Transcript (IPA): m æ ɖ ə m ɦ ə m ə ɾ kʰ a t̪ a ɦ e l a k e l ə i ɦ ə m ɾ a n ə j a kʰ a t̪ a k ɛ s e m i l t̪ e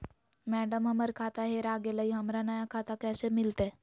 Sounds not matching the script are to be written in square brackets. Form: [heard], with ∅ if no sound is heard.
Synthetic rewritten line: m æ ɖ ə m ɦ ə m ə ɾ kʰ a t̪ a ɦ e [ɾ] a [ɡ] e l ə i ɦ ə m ɾ a n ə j a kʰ a t̪ a k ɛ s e m i l t̪ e

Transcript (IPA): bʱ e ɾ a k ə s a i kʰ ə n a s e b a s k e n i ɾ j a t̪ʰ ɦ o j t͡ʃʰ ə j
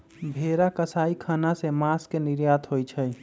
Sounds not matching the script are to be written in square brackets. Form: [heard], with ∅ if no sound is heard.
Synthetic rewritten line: bʱ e ɾ a k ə s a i kʰ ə n a s e [m] a s k e n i ɾ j a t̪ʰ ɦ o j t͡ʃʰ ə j

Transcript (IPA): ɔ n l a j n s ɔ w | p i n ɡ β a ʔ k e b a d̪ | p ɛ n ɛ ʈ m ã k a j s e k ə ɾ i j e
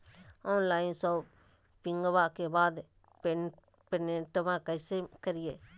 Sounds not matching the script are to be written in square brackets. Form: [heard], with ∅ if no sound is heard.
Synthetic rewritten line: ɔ n l a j n s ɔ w | p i [ŋ] ɡ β a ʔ k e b a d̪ | p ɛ n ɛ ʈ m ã k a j s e k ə ɾ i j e

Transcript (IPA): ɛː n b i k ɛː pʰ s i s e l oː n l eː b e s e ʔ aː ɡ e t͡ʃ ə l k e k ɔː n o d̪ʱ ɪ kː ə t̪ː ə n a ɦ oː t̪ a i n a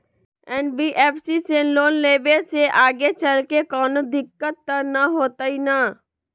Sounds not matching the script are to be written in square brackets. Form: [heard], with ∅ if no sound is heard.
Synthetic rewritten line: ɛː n b i [ʔ] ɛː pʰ s i s e l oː n l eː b e s e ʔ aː ɡ e t͡ʃ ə l k e k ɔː n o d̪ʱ ɪ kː ə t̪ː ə n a ɦ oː t̪ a i n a

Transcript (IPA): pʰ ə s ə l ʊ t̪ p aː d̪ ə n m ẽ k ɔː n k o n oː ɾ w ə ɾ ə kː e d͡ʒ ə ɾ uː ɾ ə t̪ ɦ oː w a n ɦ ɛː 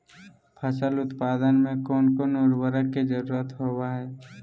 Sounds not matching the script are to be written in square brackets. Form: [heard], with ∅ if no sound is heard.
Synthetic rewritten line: pʰ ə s ə l ʊ t̪ p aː d̪ ə n m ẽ k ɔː n k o n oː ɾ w ə ɾ ə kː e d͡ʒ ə ɾ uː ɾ ə t̪ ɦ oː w a [∅] ɦ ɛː

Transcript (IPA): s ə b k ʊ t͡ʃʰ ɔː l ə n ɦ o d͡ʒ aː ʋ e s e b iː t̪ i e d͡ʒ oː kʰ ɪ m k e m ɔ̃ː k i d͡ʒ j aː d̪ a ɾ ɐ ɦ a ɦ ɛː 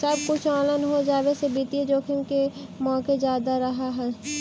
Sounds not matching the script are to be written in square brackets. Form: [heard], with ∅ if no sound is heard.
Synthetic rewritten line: s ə b k ʊ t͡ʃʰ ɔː l ə n ɦ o d͡ʒ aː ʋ e s e b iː t̪ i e d͡ʒ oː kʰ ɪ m k e m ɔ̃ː k [e] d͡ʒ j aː d̪ a ɾ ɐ ɦ a ɦ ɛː

